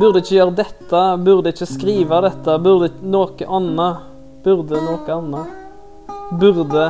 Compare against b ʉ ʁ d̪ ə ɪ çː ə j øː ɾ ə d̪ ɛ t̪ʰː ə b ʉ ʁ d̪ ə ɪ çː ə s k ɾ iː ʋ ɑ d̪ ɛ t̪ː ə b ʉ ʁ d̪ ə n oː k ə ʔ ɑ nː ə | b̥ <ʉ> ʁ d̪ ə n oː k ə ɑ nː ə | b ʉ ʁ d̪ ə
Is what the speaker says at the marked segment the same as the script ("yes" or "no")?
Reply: yes